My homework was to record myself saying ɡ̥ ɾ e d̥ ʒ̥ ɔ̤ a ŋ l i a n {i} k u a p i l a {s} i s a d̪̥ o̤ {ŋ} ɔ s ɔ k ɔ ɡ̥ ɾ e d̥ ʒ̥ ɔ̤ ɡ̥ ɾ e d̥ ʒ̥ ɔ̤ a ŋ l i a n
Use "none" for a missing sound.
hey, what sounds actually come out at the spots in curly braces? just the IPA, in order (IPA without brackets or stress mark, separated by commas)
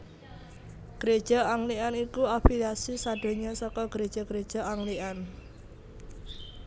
i, s, ɲ